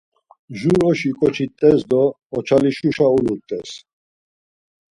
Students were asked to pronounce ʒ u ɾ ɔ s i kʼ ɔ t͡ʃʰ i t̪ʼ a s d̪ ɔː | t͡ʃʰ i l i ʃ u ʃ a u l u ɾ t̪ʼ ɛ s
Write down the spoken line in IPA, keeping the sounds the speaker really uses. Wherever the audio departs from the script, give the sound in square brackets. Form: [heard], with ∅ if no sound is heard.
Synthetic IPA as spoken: ʒ u ɾ ɔ [ʃ] i kʼ ɔ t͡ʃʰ i t̪ʼ [ɛ] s d̪ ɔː | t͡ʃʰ [a] l i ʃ u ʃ a u l u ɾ t̪ʼ ɛ s